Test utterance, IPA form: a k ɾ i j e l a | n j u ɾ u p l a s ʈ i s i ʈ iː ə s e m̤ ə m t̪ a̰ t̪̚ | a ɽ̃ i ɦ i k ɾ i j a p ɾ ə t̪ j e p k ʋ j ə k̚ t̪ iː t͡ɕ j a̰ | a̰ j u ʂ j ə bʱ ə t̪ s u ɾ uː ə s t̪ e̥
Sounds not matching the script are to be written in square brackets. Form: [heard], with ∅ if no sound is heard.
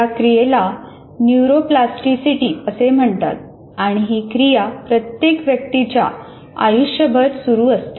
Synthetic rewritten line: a k ɾ i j e l a | n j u ɾ [o] p l a s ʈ i s i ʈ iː ə s e m̤ ə [ɳ] t̪ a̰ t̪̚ | a ɽ̃ i ɦ i k ɾ i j a p ɾ ə t̪ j e [∅] k ʋ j ə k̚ t̪ [i] t͡ɕ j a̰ | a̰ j u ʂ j ə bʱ ə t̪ s u ɾ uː ə s t̪ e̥